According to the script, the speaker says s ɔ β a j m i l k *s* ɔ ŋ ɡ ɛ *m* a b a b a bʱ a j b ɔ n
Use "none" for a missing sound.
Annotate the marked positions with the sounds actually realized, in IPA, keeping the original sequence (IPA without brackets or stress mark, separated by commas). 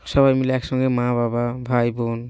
s, m